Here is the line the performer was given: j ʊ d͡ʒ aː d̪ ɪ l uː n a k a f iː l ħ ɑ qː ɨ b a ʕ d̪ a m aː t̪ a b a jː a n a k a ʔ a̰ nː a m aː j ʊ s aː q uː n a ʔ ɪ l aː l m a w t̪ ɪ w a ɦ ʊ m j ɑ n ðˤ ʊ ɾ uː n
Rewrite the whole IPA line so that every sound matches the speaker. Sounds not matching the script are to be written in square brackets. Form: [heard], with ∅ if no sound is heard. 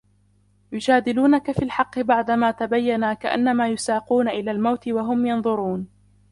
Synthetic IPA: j ʊ d͡ʒ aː d̪ ɪ l uː n a k a f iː l ħ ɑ qː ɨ b a ʕ d̪ a m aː t̪ a b a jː a n a k a ʔ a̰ nː a m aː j ʊ s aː q uː n a ʔ ɪ l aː l m a w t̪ ɪ w a ɦ ʊ m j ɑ n ðˤ ʊ ɾ uː n